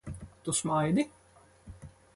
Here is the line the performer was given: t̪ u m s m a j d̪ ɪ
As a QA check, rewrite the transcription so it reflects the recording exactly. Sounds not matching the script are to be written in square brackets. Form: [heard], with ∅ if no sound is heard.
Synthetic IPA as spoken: t̪ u [∅] s m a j d̪ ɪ